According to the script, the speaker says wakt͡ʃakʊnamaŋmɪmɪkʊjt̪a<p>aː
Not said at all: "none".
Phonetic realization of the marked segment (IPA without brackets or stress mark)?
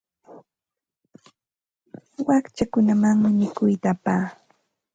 p